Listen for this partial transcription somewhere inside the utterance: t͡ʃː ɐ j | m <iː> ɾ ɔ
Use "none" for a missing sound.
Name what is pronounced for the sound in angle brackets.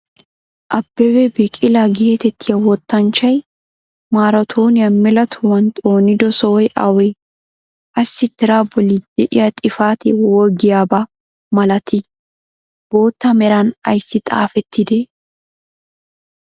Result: aː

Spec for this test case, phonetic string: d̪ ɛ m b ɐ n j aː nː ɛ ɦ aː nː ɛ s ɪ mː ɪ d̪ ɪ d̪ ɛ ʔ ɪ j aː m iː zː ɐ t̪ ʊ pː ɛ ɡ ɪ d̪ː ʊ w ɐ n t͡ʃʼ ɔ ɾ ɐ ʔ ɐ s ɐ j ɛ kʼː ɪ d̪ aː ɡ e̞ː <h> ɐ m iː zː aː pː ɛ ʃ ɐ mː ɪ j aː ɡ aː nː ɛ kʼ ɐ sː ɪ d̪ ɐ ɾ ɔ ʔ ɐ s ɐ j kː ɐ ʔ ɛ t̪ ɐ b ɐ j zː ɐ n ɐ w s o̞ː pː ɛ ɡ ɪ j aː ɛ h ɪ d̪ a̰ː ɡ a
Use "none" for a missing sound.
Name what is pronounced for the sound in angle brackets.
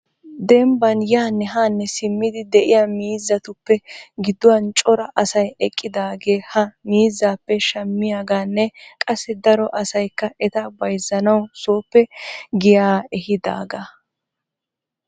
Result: h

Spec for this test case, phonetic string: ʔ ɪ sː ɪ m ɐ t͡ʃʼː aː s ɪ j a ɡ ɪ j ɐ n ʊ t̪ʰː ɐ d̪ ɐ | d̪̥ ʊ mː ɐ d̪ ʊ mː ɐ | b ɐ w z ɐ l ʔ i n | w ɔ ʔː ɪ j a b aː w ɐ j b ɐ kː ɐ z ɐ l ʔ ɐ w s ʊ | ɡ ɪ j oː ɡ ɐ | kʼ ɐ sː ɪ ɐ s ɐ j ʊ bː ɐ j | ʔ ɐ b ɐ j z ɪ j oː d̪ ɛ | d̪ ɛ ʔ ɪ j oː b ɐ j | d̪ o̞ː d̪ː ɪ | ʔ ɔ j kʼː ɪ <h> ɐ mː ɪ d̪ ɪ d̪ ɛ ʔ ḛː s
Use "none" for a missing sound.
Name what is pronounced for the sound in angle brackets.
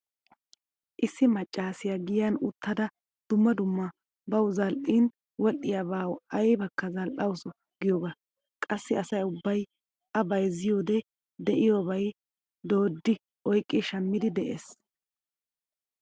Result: ʃ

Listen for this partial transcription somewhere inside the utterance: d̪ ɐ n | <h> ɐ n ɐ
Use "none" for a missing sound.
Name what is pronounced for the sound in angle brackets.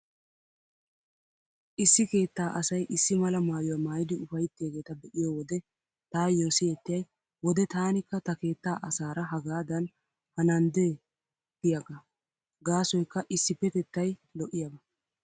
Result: h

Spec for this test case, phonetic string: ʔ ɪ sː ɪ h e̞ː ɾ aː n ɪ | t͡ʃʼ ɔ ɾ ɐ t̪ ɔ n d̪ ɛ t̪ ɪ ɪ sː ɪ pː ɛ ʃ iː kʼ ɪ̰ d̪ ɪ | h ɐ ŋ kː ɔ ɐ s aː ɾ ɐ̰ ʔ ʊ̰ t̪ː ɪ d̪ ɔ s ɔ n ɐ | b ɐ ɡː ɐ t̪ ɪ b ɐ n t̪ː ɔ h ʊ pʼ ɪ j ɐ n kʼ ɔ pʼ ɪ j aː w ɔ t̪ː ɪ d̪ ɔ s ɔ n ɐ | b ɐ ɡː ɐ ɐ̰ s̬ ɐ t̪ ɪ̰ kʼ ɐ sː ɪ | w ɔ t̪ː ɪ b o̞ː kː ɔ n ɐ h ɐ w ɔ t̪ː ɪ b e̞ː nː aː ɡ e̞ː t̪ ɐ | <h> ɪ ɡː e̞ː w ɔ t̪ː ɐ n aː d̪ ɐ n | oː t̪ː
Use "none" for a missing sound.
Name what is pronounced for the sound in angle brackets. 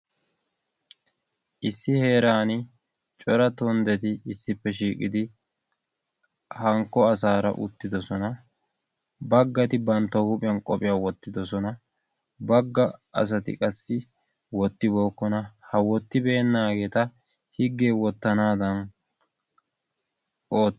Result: h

